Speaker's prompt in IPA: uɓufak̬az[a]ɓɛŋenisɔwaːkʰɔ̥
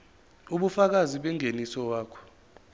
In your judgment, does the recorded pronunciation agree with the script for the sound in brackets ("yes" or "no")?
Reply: no